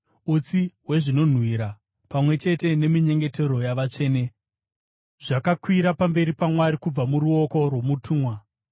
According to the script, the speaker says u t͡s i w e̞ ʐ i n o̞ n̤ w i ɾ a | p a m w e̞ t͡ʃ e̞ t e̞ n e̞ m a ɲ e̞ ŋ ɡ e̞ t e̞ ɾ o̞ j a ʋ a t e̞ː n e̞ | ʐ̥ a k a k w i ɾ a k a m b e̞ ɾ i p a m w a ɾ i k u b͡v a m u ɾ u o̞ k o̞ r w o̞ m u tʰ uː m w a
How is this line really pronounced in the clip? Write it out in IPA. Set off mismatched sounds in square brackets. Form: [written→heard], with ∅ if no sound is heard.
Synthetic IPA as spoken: u t͡s i w e̞ ʐ i n o̞ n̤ w i ɾ a | p a m w e̞ t͡ʃ e̞ t e̞ n e̞ m [a→i] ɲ e̞ ŋ ɡ e̞ t e̞ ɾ o̞ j a ʋ a [t→t͡ʂ] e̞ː n e̞ | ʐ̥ a k a k w i ɾ a [k→p] a m b e̞ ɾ i p a m w a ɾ i k u b͡v a m u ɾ u o̞ k o̞ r w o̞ m u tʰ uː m w a